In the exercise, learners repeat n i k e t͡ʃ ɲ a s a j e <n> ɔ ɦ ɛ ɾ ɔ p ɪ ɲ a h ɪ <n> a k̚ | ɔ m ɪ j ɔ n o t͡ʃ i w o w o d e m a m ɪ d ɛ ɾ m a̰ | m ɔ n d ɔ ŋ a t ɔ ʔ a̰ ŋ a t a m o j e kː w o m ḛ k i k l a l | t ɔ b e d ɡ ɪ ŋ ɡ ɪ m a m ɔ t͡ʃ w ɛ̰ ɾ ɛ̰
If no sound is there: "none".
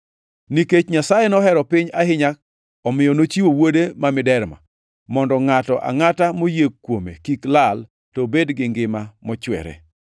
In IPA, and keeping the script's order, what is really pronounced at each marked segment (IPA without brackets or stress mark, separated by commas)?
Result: n, ɲ